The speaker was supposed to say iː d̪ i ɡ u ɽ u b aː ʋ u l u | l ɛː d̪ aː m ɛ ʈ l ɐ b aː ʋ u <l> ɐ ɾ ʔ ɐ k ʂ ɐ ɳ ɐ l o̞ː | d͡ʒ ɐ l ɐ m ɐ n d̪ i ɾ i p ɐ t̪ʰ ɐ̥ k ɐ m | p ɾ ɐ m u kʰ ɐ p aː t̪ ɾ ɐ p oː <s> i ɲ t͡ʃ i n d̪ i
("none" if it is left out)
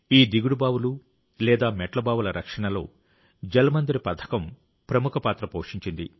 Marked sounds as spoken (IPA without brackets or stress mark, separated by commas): l, ʂ